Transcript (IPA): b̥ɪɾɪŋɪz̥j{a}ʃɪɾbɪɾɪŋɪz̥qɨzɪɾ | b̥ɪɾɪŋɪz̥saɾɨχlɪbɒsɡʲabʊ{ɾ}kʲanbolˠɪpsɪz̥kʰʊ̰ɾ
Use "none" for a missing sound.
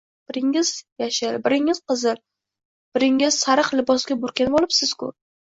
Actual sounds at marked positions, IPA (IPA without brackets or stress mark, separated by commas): a, ɾ